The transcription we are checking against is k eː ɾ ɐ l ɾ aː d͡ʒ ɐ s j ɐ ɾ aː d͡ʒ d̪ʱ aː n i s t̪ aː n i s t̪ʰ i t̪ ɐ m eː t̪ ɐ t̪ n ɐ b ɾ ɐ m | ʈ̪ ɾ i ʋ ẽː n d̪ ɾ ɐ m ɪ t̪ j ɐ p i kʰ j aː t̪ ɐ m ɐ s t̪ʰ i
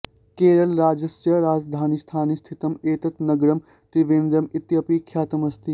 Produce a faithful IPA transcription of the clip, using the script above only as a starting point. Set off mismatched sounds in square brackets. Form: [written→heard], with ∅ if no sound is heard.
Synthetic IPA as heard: k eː ɾ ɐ l ɾ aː d͡ʒ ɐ s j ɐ ɾ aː d͡ʒ d̪ʱ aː n i s [t̪→t̪ʰ] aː n i s t̪ʰ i t̪ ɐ m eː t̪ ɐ t̪ n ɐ [b→ɡ] ɾ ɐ m | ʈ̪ ɾ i ʋ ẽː n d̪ ɾ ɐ m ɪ t̪ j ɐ p i kʰ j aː t̪ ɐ m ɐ s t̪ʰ i